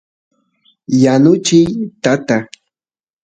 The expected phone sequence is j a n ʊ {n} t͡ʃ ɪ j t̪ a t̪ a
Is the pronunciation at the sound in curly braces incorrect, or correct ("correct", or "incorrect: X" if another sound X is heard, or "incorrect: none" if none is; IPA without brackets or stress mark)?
incorrect: none